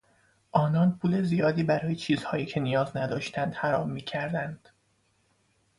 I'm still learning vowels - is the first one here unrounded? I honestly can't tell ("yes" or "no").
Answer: no